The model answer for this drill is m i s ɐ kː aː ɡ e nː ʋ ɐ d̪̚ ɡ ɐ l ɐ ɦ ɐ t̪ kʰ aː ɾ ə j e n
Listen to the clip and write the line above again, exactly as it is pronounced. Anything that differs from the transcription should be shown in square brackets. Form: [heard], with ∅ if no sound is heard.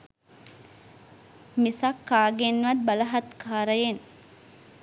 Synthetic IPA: m i s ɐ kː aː ɡ e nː ʋ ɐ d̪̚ [b] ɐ l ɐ ɦ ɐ t̪ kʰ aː ɾ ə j e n